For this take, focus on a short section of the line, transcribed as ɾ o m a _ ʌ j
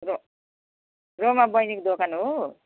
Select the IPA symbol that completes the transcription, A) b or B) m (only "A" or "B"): A